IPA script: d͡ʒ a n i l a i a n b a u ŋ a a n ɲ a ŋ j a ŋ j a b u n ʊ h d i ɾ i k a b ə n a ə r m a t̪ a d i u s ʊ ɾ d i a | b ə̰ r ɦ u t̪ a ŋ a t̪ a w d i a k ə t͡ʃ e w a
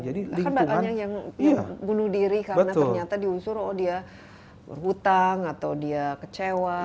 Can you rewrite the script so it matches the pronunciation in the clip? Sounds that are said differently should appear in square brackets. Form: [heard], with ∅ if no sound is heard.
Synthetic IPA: d͡ʒ a [d] i l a i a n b a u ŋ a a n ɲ a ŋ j a ŋ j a b u n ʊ h d i ɾ i k a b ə n a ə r [ɲ] a t̪ a d i u s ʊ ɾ d i a | b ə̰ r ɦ u t̪ a ŋ a t̪ a w d i a k ə t͡ʃ e w a